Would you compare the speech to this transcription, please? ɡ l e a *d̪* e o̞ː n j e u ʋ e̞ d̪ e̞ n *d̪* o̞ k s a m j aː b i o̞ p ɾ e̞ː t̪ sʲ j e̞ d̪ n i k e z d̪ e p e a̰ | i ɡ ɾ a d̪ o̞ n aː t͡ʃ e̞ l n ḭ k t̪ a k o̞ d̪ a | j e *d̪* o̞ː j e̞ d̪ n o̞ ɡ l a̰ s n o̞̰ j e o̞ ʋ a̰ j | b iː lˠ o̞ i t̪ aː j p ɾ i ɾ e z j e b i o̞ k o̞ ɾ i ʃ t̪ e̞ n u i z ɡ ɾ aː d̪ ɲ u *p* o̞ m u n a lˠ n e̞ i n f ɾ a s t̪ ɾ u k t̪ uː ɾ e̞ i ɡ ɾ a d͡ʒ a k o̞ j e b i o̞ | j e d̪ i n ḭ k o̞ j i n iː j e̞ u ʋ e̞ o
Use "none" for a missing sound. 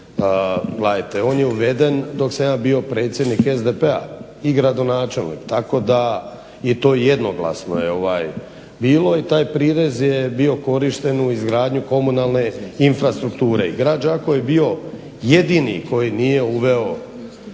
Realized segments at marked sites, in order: t̪, d̪, t̪, k

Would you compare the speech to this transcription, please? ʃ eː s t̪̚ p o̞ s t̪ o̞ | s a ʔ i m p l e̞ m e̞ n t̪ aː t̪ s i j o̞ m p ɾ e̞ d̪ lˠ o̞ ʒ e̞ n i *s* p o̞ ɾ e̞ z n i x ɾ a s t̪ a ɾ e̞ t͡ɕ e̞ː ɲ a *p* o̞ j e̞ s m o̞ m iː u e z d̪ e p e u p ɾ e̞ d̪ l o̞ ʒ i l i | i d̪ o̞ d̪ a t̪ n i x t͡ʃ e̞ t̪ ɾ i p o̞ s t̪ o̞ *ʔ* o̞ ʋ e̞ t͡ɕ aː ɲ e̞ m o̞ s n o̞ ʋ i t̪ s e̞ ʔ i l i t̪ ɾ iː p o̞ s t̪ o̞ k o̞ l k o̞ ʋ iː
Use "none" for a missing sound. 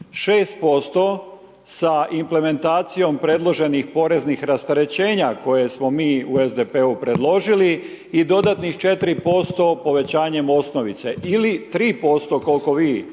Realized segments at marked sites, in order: x, k, p

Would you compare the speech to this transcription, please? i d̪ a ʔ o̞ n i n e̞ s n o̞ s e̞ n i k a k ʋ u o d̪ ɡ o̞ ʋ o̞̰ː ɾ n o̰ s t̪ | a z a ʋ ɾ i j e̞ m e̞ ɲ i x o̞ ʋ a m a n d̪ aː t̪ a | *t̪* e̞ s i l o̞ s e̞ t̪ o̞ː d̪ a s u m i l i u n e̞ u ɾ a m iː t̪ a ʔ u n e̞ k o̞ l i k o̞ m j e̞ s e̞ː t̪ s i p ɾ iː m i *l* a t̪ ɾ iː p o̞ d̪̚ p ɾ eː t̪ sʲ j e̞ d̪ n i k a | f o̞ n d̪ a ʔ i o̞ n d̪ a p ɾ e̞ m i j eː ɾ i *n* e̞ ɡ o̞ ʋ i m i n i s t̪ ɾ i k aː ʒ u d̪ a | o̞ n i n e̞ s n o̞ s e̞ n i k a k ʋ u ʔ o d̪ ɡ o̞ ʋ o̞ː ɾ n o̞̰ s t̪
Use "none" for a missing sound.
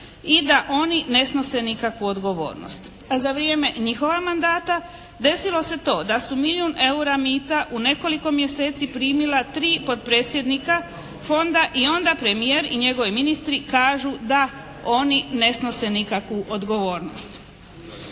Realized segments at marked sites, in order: d̪, l, ɲ

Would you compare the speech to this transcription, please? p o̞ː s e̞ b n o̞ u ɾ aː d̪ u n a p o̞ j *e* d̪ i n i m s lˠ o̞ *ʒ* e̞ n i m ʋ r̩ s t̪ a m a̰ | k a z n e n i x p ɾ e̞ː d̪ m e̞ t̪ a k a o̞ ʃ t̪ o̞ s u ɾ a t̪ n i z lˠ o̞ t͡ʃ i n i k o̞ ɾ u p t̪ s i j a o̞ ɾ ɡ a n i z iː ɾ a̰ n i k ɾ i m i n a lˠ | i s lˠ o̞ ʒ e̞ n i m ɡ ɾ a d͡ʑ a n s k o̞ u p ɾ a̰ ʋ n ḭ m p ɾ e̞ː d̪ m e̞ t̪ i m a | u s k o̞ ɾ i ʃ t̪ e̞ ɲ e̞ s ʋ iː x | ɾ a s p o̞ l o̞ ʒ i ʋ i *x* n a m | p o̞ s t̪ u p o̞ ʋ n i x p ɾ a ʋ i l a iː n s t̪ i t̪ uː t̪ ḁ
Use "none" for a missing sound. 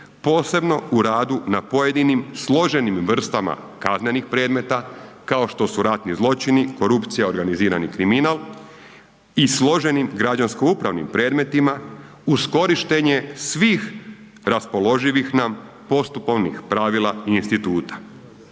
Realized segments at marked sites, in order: e, ʒ, x

